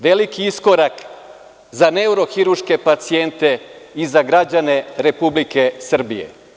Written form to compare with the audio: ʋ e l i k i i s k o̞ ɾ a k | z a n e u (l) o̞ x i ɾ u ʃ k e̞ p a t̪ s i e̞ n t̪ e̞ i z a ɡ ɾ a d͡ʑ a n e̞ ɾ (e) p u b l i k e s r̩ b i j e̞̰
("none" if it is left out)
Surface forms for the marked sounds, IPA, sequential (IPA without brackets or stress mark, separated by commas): ɾ, e